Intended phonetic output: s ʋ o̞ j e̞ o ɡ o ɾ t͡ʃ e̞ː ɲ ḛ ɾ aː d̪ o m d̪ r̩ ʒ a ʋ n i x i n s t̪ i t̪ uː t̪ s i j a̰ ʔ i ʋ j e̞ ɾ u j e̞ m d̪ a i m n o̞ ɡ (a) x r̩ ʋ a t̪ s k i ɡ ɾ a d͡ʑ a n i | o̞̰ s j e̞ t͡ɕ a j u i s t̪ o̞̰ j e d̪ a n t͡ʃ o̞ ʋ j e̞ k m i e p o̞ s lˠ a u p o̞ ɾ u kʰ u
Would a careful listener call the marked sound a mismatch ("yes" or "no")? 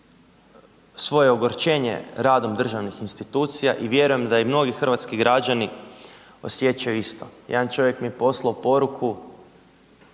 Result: yes